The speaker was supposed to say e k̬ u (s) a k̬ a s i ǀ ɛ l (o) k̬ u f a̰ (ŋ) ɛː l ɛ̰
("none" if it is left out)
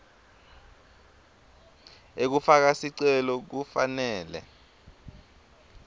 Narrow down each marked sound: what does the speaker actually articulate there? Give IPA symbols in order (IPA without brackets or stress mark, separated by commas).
f, ɔ, n